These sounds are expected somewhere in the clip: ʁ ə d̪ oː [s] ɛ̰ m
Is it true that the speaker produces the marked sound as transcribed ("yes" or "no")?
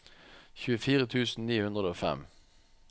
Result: no